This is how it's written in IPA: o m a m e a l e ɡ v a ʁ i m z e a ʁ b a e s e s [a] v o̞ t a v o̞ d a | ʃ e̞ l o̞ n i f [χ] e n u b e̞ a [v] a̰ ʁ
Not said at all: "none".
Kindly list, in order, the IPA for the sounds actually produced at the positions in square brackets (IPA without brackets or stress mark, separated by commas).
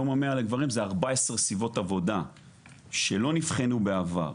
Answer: i, χ, v